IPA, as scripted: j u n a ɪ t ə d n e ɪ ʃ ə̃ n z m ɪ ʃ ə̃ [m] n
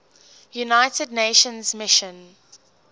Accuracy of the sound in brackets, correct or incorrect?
incorrect: none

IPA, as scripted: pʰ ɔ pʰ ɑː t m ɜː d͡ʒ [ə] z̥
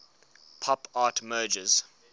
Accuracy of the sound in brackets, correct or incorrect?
correct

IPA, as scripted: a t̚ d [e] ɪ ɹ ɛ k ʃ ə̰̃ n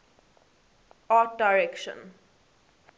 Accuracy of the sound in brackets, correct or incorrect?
incorrect: a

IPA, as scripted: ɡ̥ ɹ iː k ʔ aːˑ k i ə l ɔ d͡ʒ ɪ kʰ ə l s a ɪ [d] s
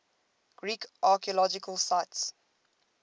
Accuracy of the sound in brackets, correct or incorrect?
incorrect: t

